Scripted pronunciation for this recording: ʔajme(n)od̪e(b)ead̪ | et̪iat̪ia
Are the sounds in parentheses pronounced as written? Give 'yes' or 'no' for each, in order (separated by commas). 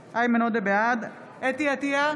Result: yes, yes